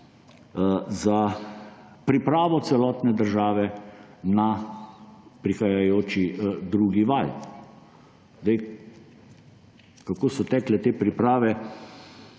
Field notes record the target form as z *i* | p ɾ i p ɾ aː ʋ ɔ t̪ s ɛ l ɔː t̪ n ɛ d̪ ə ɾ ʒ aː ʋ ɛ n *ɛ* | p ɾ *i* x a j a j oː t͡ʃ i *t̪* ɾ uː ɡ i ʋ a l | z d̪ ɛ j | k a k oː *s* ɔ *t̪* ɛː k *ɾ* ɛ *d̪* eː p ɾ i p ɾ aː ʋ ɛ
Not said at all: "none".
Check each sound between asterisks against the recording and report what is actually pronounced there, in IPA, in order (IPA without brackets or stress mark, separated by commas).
a, a, i, d̪, s, t̪, l, t̪